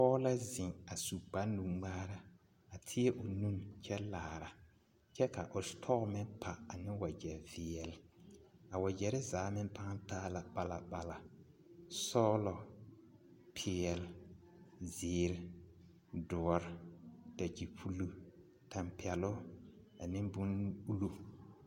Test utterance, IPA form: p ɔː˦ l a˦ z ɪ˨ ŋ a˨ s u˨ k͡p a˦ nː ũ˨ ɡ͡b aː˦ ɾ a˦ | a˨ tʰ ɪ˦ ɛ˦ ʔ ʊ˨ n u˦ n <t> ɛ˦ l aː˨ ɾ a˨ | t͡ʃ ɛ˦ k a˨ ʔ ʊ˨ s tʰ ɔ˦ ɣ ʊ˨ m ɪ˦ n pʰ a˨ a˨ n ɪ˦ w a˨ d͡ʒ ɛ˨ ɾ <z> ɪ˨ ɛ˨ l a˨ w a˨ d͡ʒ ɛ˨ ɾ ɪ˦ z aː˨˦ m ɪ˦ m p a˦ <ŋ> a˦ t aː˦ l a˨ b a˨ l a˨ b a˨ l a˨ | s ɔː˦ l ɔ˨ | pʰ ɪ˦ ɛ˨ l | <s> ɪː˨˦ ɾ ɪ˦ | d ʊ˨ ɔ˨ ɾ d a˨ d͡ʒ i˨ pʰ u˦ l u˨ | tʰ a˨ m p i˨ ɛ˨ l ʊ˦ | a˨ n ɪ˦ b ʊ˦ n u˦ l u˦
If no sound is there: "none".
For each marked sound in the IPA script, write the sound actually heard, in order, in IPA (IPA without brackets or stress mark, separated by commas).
t͡ʃ, v, ŋ, z